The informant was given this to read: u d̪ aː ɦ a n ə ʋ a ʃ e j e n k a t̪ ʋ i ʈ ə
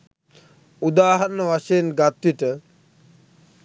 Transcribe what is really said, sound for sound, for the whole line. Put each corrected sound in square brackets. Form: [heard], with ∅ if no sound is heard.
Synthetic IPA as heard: u d̪ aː ɦ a n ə ʋ a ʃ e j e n [ɡ] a t̪ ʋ i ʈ ə